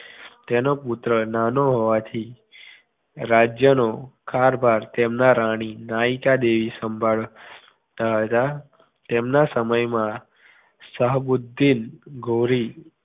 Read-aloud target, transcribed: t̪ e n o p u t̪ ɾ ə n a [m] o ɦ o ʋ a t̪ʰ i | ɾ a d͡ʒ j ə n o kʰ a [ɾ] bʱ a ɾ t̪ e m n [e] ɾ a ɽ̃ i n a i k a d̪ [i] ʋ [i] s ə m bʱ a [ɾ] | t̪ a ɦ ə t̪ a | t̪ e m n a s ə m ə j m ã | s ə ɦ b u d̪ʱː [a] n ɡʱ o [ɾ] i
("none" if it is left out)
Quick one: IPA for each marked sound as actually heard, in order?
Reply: n, ɾ, a, e, i, ɭ, i, ɾ

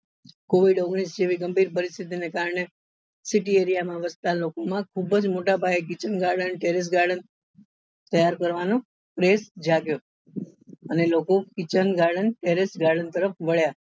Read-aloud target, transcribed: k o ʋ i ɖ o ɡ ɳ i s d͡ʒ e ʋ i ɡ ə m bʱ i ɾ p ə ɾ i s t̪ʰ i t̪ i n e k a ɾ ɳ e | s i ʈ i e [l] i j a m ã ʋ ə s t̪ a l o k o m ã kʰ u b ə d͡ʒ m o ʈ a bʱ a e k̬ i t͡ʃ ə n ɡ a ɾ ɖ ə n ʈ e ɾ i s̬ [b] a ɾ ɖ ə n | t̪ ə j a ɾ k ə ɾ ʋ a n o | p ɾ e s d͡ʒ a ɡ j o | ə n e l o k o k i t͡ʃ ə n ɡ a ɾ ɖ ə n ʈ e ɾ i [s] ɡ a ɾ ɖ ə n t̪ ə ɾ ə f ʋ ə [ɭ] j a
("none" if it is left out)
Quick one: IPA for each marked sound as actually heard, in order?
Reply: ɾ, ɡ, s, ɭ

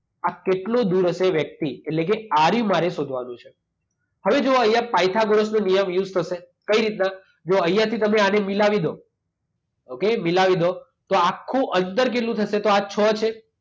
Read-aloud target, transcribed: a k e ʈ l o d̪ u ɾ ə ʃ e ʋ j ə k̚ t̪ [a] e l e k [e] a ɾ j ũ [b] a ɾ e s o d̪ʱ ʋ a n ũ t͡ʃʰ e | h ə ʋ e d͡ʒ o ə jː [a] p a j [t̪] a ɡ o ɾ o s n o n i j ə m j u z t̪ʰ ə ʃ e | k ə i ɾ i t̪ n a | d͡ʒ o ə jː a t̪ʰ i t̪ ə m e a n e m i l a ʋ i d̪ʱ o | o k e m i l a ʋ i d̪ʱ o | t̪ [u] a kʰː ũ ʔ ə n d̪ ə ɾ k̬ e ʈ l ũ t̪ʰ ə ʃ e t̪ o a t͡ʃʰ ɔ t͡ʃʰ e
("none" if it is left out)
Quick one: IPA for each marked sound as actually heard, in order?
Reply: i, e, m, a, t̪ʰ, o

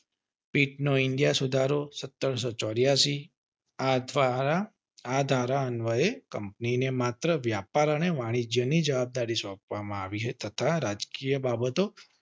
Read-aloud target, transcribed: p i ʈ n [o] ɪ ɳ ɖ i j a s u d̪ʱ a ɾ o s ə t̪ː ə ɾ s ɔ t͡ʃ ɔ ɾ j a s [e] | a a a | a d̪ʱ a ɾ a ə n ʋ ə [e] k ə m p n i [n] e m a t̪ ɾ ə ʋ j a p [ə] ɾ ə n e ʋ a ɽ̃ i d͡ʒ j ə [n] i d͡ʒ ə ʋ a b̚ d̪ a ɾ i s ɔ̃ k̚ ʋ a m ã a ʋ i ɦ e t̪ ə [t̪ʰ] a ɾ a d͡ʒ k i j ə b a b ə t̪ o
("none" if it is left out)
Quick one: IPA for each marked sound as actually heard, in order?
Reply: o, i, e, n, a, n, t̪ʰ

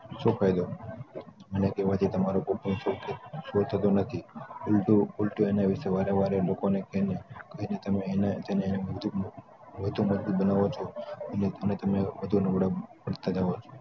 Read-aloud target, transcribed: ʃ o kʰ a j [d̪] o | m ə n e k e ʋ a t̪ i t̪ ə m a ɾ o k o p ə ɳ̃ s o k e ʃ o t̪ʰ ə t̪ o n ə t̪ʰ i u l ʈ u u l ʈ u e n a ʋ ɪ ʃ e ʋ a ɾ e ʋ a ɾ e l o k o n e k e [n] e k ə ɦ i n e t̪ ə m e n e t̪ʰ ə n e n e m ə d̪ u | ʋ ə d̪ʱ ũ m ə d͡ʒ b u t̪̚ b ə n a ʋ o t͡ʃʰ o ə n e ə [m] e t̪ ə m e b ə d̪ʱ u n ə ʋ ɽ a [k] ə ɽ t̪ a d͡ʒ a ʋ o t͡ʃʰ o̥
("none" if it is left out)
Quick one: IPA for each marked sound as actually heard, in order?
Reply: d̪, n, n, p

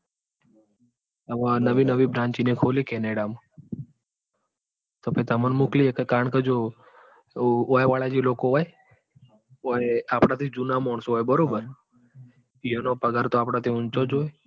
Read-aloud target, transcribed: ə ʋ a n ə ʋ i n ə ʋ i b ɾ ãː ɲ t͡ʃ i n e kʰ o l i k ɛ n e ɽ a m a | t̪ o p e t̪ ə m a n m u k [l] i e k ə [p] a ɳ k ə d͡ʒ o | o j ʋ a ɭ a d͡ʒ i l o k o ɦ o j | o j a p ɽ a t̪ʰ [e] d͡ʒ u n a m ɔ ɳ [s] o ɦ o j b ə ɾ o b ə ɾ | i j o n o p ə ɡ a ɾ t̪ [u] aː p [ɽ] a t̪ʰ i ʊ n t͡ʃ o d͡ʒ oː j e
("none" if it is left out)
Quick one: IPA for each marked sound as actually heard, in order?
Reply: l, k, i, s, o, ɽ

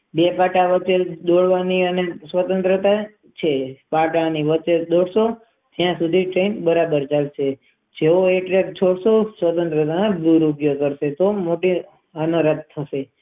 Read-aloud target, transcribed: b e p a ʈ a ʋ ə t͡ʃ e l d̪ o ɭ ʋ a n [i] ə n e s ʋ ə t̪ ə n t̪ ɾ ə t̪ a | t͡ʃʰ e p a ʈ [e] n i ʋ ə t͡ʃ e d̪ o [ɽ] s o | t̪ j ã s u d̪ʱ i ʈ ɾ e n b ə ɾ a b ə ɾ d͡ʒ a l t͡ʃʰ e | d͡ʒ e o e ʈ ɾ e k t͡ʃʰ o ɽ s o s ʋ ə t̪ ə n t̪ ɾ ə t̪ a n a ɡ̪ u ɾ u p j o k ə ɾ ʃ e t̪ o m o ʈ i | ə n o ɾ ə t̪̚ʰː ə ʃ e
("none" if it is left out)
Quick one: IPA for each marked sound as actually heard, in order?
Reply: i, a, ɽ

